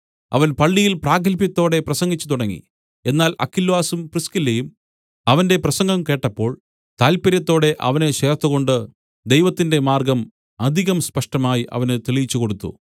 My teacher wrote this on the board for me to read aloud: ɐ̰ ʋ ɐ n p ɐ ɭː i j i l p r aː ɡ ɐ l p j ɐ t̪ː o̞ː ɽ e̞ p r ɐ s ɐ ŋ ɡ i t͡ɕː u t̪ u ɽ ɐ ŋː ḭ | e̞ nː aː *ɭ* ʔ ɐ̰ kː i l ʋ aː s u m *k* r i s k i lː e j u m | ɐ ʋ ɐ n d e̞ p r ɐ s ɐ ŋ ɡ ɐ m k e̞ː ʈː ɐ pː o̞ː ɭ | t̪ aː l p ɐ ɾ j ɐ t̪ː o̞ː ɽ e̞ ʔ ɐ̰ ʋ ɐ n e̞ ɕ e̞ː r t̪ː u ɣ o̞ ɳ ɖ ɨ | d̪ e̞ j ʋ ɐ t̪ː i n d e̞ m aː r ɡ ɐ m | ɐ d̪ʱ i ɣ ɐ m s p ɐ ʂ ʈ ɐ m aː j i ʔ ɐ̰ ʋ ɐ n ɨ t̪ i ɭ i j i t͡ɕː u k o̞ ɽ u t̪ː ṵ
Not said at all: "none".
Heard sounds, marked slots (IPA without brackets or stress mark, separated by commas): l, p